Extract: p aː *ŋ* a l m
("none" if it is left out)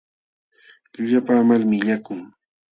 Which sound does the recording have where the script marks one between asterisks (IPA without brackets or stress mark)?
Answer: m